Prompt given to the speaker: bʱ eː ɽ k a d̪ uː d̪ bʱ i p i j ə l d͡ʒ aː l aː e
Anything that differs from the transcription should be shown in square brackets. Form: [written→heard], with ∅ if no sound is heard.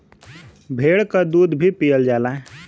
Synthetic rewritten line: bʱ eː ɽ k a d̪ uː d̪ bʱ i p i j ə l d͡ʒ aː l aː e